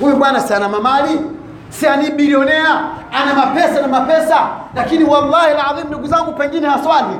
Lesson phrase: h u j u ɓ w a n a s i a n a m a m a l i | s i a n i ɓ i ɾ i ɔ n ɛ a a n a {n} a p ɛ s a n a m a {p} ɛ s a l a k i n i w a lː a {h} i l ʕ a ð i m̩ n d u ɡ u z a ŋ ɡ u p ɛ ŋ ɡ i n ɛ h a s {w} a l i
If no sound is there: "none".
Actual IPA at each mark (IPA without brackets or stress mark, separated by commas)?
m, p, h, w